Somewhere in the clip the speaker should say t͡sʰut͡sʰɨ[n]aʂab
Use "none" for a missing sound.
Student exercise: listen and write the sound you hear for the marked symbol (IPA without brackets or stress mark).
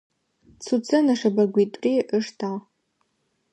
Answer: n